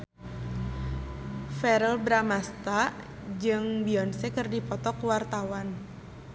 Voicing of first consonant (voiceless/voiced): voiceless